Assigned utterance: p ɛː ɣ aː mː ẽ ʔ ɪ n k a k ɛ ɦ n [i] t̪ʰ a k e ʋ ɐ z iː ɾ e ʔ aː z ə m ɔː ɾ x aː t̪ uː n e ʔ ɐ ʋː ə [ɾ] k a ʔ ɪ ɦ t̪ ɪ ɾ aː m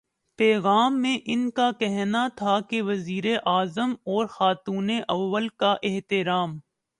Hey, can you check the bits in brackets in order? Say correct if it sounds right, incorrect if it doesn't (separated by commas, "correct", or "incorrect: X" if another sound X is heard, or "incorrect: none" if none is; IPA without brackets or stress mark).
incorrect: a, incorrect: l